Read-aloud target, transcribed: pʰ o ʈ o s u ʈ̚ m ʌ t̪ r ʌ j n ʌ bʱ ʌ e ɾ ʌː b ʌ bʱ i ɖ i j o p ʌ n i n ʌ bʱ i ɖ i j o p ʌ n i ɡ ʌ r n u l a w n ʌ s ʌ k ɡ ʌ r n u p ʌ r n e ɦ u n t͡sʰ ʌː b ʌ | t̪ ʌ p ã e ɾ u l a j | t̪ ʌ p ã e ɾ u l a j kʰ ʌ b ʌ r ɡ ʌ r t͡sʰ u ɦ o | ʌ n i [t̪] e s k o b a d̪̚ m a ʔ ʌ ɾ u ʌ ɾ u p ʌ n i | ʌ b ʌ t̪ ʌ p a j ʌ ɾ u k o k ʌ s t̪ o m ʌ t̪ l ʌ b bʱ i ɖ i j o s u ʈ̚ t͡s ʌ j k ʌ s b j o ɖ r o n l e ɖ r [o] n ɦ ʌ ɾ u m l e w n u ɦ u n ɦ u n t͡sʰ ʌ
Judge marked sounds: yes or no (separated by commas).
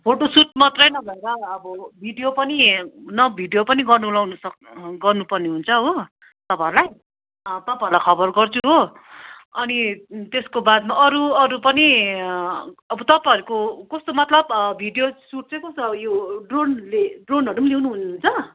yes, yes